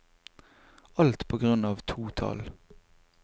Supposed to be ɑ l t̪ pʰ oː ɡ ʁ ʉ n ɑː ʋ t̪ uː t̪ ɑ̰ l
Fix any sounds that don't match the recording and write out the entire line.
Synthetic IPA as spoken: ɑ l t̪ pʰ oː ɡ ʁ ʉ n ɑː ʋ t̪ʰ uː t̪ʰ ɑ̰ l

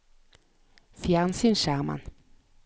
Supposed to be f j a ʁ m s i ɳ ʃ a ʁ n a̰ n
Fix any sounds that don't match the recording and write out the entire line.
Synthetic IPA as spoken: f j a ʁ n s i n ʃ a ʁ m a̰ n

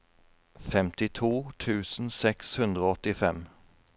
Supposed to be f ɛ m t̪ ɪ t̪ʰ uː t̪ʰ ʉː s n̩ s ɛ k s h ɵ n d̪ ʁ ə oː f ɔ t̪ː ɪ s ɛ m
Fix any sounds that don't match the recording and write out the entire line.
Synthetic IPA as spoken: f ɛ m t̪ ɪ t̪ʰ uː t̪ʰ ʉː s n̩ s ɛ k s h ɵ n d̪ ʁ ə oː ɔ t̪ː ɪ f ɛ m

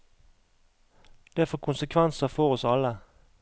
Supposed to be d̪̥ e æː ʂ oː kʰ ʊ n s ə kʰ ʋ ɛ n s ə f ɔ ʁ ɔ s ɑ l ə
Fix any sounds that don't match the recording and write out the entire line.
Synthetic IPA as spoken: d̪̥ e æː f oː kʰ ʊ n s ə kʰ ʋ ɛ n s ə f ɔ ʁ ɔ s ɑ l ə

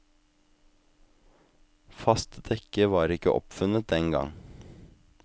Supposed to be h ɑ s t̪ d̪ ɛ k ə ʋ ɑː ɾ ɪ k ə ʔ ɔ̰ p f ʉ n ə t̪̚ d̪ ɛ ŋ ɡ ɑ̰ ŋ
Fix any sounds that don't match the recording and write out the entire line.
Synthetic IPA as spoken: f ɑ s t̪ d̪ ɛ k ə ʋ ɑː ɾ ɪ k ə ʔ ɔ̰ p f ʉ n ə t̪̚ d̪ ɛ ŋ ɡ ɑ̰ ŋ

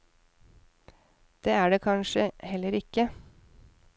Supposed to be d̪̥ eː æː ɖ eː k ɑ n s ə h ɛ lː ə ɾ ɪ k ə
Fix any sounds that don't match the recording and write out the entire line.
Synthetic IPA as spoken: d̪̥ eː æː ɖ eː kʰ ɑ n ʃ ə h ɛ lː ə ɾ ɪ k ə

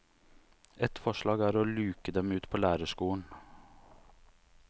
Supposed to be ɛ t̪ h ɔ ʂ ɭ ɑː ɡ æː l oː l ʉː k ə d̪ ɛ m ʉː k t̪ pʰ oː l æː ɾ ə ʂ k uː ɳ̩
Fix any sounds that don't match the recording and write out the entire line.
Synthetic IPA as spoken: ɛ t̪ f ɔ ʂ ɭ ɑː ɡ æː ɾ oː l ʉː k ə d̪ ɛ m ʉː t̪ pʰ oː l æː ɾ ə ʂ k uː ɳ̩

